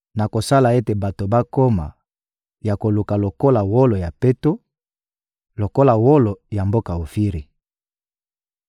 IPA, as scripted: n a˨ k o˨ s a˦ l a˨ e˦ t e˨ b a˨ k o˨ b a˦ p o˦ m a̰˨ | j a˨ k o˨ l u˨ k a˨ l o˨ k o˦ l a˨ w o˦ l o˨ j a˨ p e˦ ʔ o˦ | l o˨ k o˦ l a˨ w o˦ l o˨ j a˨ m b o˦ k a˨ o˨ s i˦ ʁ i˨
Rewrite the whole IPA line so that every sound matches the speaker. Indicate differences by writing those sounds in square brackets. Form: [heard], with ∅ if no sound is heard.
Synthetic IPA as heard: n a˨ k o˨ s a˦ l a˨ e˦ t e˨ b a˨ [t] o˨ b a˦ [k] o˦ m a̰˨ | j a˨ k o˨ l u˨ k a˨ l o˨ k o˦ l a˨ w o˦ l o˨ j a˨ p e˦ [t] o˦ | l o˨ k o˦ l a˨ w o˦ l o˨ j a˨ m b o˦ k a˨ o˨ [f] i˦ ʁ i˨